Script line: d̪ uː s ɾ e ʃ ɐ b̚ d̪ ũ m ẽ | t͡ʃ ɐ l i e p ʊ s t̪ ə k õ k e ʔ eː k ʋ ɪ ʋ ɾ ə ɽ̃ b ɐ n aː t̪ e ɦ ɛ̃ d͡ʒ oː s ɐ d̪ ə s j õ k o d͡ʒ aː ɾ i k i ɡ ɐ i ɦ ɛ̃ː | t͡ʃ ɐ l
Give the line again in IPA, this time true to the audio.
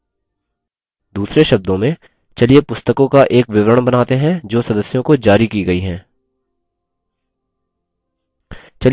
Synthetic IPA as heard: d̪ uː s ɾ e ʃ ɐ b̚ d̪ õ m ẽ | t͡ʃ ɐ l i e p ʊ s t̪ ə k õ k a ʔ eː k ʋ ɪ ʋ ɾ ə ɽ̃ b ɐ n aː t̪ e ɦ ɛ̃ d͡ʒ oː s ɐ d̪ ə s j õ k o d͡ʒ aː ɾ i k i ɡ ɐ i ɦ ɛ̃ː | t͡ʃ ɐ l